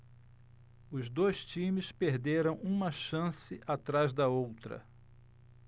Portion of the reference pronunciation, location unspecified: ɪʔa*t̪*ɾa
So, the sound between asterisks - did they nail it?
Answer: yes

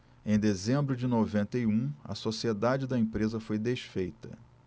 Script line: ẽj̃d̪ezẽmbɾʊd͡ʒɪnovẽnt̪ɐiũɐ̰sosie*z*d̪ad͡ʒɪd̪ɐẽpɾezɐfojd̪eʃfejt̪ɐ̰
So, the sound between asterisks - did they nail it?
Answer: no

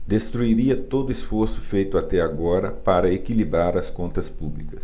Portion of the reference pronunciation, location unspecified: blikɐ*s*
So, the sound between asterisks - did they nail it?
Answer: yes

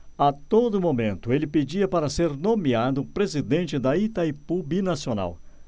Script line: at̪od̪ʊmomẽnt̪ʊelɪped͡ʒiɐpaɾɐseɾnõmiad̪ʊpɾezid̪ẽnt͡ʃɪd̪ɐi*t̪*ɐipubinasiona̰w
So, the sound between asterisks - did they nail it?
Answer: yes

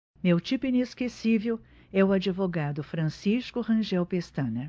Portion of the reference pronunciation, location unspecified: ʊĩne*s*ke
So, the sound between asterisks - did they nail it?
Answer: yes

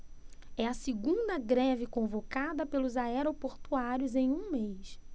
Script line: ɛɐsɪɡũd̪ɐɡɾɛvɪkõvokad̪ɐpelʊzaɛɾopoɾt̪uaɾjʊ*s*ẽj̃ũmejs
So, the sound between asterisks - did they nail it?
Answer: no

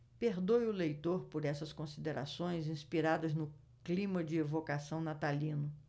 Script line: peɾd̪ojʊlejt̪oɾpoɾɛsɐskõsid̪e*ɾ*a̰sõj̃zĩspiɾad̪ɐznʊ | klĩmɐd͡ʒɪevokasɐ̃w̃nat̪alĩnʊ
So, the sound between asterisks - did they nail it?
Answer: yes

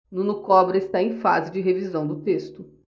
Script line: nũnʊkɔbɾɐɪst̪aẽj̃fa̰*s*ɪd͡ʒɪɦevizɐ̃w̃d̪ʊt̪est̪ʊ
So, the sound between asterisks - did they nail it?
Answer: no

